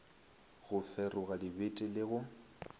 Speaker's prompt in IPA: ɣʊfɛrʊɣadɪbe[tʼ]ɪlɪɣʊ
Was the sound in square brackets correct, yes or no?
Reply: yes